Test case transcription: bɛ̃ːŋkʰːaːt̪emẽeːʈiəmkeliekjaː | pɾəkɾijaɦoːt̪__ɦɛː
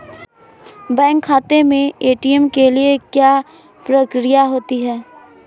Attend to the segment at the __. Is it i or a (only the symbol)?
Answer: i